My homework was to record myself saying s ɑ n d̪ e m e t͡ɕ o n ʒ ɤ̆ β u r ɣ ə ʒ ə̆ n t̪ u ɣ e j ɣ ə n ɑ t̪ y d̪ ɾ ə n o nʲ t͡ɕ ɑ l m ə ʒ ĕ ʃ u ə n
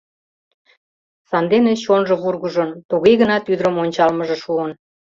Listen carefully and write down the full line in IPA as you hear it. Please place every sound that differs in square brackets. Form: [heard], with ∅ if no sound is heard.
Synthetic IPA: s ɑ n d̪ e [n] e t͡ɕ o n ʒ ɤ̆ β u r ɣ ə ʒ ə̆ n t̪ u ɣ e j ɣ ə n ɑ t̪ y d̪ ɾ ə [m] o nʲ t͡ɕ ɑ l m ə ʒ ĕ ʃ u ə n